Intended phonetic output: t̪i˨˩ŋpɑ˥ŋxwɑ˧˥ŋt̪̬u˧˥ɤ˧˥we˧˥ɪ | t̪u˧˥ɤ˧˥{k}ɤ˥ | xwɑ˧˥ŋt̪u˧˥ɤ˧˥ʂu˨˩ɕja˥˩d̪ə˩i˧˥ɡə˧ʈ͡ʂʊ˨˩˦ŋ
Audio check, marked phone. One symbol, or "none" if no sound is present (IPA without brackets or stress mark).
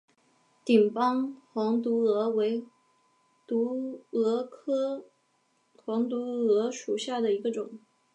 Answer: kʰ